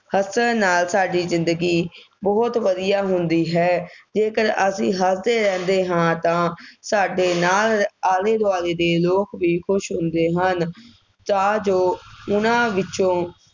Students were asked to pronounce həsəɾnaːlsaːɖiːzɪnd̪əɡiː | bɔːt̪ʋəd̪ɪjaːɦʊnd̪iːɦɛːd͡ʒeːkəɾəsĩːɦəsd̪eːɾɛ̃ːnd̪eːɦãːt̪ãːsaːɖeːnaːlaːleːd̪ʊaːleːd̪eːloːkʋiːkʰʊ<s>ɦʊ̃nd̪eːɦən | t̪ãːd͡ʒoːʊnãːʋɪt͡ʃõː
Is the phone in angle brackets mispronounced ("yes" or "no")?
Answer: yes